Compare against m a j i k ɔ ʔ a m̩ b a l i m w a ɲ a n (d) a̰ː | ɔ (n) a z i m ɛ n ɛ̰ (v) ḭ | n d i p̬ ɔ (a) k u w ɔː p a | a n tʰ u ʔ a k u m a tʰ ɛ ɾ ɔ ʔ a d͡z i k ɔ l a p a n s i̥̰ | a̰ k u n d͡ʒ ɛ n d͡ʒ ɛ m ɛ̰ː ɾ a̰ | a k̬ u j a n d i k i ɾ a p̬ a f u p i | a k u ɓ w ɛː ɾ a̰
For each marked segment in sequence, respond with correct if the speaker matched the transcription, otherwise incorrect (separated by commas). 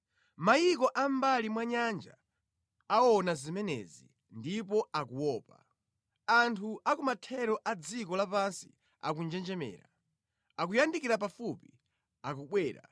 incorrect, correct, incorrect, correct